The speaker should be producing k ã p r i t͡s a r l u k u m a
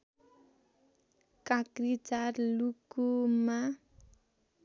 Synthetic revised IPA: k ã k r i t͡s a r l u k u m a